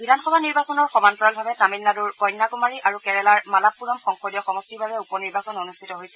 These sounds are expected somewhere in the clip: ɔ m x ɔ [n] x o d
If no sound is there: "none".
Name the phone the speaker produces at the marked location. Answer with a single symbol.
ŋ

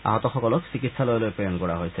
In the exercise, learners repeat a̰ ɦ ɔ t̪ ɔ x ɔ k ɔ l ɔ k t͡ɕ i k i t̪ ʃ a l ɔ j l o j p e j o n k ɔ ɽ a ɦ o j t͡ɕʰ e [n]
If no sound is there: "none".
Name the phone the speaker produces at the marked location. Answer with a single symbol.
none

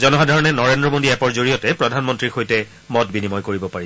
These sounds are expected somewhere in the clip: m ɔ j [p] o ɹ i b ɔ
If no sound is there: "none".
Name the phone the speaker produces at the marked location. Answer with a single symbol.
k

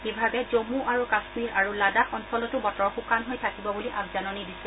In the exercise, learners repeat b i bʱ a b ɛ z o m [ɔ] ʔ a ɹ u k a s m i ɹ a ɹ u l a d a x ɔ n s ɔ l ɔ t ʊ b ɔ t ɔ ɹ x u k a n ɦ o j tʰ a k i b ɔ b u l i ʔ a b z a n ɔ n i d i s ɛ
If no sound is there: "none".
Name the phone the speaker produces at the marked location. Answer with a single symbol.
u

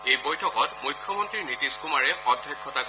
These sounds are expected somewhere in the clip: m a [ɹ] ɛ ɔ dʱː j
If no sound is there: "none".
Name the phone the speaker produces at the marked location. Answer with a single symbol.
ɹ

